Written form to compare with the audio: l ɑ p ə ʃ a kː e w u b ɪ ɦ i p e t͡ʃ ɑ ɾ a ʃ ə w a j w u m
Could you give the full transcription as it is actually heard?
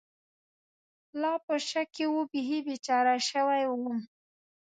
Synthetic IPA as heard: l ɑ p ə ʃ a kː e w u b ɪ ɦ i b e t͡ʃ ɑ ɾ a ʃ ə w a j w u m

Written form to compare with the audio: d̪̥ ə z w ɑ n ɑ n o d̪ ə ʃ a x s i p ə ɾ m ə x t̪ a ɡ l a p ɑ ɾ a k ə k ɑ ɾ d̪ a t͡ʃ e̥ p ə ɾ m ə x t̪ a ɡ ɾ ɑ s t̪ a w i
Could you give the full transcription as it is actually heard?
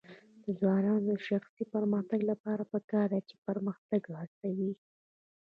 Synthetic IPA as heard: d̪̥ ə z w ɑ n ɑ n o d̪ ə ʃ a x s i p ə ɾ m ə x t̪ a ɡ l a p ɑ ɾ a p ə k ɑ ɾ d̪ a t͡ʃ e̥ p ə ɾ m ə x t̪ a ɡ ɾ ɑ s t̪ a w i

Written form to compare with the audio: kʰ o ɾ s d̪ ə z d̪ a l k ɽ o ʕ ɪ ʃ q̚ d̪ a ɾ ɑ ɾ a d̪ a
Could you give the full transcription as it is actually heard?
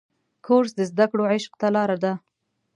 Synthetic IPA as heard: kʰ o ɾ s d̪ ə z d̪ a k ɽ o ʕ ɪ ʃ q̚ t̪ a l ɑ ɾ a d̪ a

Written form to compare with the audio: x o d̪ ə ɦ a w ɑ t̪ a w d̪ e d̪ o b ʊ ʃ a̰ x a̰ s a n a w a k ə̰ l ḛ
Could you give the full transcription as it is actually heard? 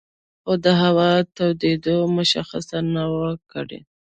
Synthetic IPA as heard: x o d̪ ə ɦ a w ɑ t̪ a w d̪ e d̪ o m ʊ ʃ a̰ x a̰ s a n a w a k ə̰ ɽ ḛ

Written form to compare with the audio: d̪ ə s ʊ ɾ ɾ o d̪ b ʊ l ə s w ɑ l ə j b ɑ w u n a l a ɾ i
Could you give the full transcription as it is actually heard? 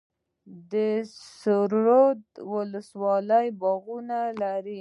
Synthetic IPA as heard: d̪ ə s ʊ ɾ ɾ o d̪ w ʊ l ə s w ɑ l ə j b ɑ ɣ u n a l a ɾ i

